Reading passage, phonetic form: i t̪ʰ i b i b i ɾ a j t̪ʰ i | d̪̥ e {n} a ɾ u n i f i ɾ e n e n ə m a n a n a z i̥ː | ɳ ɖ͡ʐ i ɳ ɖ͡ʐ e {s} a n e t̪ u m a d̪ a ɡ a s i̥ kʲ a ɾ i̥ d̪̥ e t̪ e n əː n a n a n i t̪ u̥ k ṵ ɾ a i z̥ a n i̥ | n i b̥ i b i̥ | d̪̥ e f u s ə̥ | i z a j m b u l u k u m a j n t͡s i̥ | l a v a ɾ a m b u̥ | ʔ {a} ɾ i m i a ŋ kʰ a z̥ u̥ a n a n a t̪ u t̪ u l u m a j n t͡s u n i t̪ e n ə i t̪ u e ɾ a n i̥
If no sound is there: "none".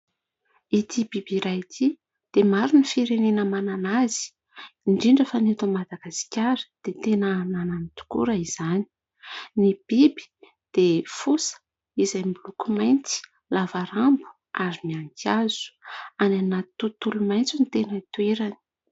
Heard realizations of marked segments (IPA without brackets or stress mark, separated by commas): m, f, a